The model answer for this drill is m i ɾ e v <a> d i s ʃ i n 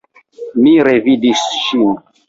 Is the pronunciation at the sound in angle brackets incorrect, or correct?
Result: incorrect